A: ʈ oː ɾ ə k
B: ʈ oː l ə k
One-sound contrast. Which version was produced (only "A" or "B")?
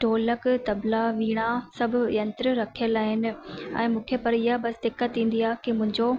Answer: B